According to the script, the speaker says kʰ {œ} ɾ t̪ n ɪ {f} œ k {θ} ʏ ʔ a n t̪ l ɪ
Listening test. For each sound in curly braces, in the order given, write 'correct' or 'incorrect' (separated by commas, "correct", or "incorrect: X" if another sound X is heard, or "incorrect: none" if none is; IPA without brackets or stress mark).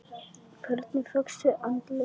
correct, correct, incorrect: s